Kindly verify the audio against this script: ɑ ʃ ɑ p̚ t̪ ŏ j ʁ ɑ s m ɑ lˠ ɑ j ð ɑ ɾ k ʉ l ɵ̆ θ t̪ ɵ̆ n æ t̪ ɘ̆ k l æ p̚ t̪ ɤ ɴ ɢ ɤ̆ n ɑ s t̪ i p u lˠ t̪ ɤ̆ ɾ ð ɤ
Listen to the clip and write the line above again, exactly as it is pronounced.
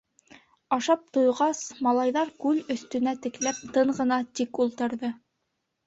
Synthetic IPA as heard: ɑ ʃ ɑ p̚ t̪ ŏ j ʁ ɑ s m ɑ lˠ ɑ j ð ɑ ɾ k ʉ l ɵ̆ θ t̪ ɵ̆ n æ t̪ ɘ̆ k l æ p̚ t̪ ɤ ɴ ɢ ɤ̆ n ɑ t̪ i k u lˠ t̪ ɤ̆ ɾ ð ɤ